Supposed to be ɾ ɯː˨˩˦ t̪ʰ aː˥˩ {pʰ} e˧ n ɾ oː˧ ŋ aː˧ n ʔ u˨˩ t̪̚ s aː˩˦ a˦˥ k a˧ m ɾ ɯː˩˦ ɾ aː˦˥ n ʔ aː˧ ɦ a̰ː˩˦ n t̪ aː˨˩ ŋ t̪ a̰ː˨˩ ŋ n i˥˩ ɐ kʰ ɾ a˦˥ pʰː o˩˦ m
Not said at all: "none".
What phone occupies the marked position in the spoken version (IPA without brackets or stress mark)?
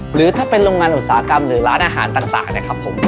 p